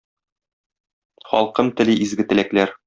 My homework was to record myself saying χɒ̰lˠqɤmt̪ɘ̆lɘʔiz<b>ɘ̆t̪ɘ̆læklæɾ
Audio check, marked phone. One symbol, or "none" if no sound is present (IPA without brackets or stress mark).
ɡ